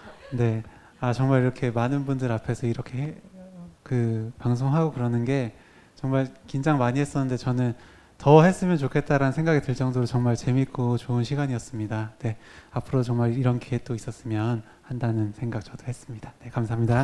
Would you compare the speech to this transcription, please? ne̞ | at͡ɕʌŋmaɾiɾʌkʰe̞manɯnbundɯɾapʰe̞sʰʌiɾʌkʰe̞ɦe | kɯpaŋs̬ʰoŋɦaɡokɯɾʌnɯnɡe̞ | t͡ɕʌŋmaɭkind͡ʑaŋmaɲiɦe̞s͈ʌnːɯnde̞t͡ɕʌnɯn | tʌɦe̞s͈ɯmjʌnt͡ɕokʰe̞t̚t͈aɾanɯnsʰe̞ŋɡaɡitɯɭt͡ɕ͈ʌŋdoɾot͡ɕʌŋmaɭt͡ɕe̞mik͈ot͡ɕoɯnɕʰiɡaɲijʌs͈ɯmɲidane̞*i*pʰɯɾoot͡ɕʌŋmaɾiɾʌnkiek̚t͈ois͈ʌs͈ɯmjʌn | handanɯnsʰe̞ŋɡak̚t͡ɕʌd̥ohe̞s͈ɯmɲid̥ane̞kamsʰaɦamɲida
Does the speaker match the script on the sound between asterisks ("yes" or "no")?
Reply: no